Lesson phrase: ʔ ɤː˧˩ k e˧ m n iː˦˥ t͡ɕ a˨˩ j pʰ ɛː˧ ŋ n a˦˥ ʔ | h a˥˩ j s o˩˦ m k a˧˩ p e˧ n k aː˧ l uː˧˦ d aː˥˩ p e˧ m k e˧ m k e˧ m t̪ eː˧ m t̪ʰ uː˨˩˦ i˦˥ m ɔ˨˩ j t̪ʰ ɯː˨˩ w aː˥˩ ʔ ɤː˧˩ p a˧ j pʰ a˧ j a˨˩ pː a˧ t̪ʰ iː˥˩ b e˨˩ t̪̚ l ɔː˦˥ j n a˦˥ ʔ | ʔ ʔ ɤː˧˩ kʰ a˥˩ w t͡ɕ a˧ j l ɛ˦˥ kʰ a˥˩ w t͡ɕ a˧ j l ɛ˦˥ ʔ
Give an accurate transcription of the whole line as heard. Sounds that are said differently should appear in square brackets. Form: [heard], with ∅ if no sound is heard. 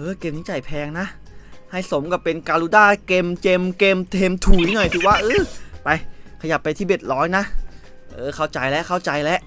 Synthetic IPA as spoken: ʔ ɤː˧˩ k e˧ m n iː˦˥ t͡ɕ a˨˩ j pʰ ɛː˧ ŋ n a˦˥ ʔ | h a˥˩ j s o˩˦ m k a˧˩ p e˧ n k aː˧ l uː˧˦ d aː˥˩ [k] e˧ m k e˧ m k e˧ m [t̪ʰ] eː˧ m t̪ʰ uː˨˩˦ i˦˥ [n] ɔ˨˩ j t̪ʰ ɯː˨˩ w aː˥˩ ʔ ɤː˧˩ p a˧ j [kʰ] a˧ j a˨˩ pː a˧ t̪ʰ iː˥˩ b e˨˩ t̪̚ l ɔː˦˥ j n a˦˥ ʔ | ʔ ʔ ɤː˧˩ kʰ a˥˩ w t͡ɕ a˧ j l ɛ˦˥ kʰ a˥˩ w t͡ɕ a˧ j l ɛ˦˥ ʔ